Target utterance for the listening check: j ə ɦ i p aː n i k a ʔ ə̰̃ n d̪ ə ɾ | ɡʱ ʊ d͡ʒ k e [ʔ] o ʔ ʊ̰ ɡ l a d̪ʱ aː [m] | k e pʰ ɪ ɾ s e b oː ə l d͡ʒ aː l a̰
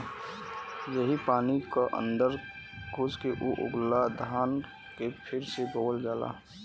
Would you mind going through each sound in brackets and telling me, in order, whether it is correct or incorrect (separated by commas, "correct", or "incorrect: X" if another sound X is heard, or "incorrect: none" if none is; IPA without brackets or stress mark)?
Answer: correct, incorrect: n